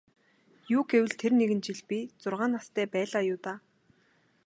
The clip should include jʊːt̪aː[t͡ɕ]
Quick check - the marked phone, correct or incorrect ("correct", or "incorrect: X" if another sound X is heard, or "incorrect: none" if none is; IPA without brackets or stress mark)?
incorrect: none